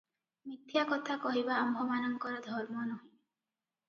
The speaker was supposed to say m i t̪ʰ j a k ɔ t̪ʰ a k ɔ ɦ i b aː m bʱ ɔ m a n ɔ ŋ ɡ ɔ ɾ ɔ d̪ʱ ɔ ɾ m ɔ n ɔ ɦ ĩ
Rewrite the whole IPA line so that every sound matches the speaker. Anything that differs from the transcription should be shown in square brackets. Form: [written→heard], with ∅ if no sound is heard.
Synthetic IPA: m i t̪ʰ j a k ɔ t̪ʰ a k ɔ ɦ i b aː m bʱ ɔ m a n ɔ ŋ [ɡ→k] ɔ ɾ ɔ d̪ʱ ɔ ɾ m ɔ n ɔ ɦ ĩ